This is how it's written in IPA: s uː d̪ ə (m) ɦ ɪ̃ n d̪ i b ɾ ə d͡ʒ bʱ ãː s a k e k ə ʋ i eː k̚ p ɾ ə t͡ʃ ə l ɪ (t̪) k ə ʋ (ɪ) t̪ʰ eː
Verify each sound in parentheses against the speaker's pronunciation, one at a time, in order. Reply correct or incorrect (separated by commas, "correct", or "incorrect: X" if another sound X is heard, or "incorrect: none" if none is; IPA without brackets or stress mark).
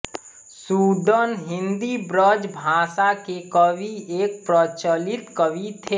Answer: incorrect: n, correct, incorrect: i